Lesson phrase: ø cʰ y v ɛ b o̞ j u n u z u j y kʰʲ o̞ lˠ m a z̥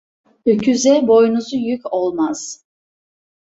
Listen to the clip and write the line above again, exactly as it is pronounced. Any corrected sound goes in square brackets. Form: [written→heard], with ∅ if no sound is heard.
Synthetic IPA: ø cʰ y [v→z] ɛ b o̞ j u n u z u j y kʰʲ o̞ lˠ m a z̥